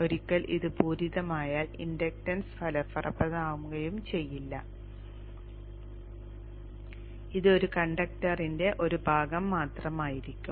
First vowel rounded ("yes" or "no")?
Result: yes